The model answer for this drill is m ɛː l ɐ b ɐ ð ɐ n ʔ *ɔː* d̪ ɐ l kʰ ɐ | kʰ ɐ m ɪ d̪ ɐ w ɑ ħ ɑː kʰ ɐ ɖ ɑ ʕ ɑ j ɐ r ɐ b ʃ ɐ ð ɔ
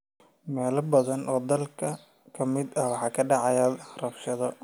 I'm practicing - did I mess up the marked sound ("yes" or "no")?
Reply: no